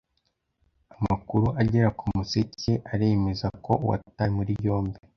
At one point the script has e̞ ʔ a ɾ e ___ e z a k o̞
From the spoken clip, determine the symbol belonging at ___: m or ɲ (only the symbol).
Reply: m